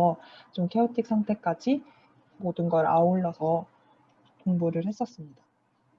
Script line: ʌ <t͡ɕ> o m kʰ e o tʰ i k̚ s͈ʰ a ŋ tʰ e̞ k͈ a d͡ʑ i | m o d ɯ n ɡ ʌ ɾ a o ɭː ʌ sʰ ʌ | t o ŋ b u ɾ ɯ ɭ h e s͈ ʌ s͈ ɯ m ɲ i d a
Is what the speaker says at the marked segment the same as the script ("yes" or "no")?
yes